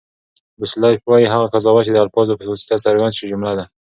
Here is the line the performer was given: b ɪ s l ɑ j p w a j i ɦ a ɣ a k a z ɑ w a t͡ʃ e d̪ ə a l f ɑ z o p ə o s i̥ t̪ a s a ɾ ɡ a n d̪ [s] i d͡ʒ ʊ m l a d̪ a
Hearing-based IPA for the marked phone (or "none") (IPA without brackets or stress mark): ʃ